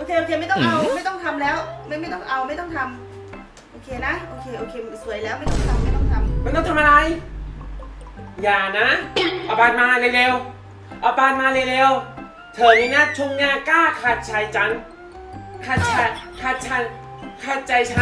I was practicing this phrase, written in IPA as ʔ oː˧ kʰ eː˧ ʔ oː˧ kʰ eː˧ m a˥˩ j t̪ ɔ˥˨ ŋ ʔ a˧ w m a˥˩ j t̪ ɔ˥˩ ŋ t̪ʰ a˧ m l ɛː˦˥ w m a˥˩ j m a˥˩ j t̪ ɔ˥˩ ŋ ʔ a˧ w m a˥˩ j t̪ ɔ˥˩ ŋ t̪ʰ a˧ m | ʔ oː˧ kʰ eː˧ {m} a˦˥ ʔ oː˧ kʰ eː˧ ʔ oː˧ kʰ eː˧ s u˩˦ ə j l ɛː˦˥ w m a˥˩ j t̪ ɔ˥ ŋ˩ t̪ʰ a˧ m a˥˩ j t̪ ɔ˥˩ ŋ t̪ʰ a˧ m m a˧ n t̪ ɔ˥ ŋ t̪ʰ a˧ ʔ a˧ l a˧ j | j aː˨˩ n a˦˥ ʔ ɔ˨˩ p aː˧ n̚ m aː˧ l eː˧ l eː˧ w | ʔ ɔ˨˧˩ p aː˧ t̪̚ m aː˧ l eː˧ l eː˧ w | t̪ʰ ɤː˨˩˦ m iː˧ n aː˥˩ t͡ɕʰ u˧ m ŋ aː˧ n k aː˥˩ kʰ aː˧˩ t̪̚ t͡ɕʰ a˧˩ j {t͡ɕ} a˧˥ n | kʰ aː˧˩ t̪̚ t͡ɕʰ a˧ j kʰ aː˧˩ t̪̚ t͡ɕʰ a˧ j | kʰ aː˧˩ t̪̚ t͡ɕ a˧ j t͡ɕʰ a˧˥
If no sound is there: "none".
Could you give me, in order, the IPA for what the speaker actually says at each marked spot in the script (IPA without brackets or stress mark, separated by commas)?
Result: n, t͡ɕ